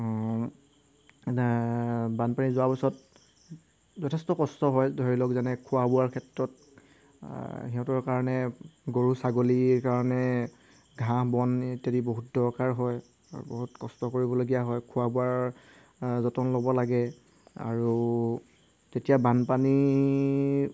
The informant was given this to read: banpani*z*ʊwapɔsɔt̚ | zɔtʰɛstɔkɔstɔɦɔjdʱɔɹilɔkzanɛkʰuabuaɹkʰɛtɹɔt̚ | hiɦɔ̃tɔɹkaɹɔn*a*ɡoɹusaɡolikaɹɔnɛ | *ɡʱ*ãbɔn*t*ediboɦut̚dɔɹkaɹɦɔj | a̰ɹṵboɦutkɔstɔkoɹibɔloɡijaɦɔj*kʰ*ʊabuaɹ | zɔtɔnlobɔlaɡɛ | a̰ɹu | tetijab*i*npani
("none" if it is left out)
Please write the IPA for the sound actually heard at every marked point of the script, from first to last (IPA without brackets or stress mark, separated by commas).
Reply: z, ɛ, ɡʱ, t, kʰ, a